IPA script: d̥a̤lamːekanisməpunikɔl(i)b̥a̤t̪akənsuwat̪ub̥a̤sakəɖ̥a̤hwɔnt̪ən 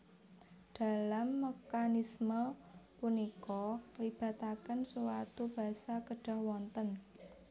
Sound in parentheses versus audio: correct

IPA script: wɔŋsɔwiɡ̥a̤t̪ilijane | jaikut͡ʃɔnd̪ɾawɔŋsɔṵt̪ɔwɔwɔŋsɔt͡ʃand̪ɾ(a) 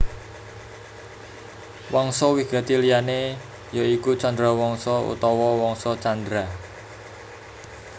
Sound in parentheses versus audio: correct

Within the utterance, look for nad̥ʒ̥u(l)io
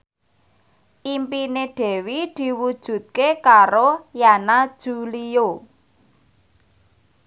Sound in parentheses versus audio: correct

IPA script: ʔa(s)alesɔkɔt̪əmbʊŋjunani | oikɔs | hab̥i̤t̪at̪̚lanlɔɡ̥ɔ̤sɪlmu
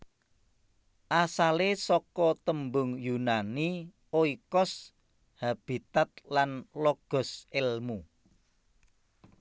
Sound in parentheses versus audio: correct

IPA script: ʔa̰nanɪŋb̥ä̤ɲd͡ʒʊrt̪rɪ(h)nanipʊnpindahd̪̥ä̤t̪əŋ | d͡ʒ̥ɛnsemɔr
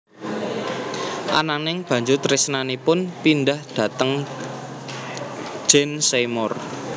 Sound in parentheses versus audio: incorrect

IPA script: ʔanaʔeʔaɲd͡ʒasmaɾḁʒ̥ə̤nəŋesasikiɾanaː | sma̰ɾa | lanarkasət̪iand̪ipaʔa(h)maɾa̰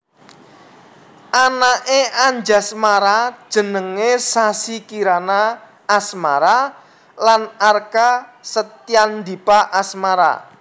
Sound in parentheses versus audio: incorrect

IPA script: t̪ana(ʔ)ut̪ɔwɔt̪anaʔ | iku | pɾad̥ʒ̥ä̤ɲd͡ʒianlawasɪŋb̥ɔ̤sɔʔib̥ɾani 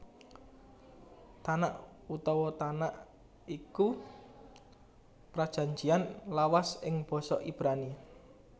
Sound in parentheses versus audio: correct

